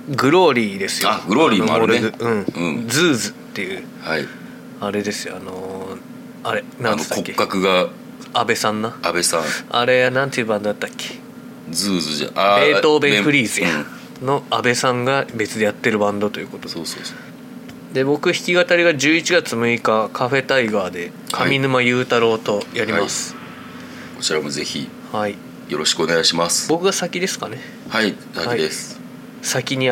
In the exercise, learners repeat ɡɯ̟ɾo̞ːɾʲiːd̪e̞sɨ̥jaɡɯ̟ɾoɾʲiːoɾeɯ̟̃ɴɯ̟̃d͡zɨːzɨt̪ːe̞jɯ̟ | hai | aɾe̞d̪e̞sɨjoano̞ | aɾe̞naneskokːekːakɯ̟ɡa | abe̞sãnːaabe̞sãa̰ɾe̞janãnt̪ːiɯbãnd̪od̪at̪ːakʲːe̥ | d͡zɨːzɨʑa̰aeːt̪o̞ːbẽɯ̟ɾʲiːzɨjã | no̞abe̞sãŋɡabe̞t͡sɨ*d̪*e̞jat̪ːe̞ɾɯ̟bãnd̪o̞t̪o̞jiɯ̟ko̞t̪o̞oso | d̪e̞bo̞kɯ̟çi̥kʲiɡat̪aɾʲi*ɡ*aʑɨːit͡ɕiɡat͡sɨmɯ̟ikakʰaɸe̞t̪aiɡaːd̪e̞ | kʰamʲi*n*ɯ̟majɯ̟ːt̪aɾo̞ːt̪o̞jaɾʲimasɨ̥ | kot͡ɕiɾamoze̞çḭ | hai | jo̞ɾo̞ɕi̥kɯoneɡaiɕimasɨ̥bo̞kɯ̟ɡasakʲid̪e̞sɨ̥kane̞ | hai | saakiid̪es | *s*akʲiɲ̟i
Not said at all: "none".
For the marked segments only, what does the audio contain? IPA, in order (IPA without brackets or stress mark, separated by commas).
d̪, ɡ, n, s